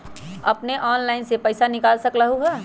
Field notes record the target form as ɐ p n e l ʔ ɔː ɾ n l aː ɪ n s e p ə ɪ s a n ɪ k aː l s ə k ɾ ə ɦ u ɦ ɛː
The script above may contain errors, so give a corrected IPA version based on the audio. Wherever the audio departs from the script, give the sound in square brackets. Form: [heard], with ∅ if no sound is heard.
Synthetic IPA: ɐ p n e [∅] ʔ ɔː [∅] n l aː ɪ n s e p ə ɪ s a n ɪ k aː l s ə k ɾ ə ɦ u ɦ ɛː